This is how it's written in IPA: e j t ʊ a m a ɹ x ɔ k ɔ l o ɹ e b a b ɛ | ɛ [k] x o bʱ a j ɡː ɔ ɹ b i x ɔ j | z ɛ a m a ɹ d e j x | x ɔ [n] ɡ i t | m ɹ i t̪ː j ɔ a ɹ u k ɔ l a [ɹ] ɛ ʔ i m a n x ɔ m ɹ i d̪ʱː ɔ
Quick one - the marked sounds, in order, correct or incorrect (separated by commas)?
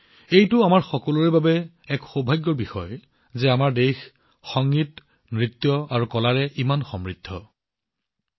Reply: correct, incorrect, correct